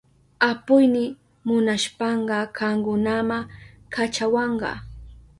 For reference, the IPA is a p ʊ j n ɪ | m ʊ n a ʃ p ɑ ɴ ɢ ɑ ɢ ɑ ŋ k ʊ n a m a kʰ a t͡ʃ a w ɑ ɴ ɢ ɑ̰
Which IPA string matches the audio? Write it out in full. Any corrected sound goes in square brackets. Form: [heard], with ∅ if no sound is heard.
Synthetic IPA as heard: a p ʊ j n ɪ | m ʊ n a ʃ p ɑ ɴ ɢ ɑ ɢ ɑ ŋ k ʊ n a m a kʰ a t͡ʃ a w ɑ ɴ ɢ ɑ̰